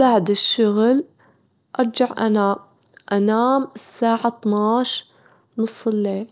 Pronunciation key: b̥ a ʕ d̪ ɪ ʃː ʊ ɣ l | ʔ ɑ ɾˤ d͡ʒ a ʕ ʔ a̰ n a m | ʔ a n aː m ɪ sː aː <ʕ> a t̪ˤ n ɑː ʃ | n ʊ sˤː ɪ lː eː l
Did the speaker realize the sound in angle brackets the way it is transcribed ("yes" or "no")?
yes